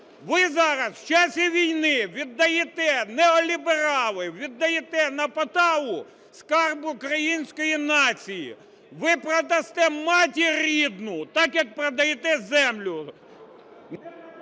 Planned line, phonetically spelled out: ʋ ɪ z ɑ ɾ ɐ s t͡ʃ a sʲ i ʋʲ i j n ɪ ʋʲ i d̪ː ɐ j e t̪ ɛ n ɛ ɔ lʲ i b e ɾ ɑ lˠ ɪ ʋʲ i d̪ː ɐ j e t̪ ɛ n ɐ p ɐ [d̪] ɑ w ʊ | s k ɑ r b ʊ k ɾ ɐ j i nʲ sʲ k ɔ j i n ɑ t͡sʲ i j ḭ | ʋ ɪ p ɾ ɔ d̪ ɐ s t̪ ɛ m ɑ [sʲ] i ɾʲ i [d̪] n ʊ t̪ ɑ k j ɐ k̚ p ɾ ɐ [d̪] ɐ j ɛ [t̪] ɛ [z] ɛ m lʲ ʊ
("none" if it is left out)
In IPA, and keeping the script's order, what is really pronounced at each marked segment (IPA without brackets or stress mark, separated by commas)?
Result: t̪, tʲ, d̪, d̪, t̪, z